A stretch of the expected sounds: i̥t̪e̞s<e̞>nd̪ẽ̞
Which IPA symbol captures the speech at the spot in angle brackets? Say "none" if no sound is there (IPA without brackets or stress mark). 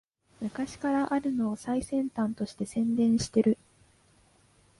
ẽ̞